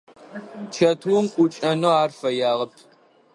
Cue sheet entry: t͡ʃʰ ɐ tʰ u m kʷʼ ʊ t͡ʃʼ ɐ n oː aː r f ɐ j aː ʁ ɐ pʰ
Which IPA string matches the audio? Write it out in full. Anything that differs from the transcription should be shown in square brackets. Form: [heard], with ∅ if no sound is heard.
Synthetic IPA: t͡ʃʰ ɐ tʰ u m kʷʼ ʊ t͡ʃʼ ɐ n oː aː r f ɐ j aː ʁ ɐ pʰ